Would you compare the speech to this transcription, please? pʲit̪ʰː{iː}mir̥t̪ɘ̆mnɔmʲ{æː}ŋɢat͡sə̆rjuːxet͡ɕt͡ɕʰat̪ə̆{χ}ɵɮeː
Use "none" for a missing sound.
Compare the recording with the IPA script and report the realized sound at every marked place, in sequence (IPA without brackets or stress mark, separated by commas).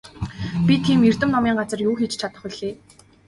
iː, iː, χ